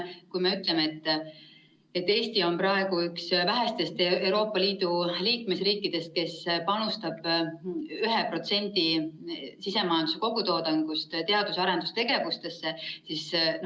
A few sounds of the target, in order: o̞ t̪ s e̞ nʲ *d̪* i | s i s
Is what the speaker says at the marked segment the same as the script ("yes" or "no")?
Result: yes